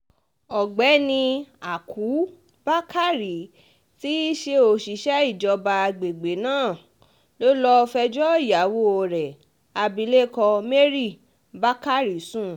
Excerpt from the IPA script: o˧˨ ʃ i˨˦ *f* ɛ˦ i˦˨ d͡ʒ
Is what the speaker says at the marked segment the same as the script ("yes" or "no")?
no